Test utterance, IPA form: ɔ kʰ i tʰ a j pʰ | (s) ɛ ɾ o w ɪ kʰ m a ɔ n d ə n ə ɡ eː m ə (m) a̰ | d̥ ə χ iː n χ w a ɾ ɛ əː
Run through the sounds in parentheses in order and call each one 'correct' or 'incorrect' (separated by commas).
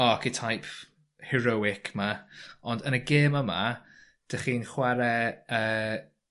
incorrect, correct